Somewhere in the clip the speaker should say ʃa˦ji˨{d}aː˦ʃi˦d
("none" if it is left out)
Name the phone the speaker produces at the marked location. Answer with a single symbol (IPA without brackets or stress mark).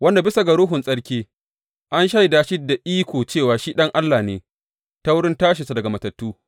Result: d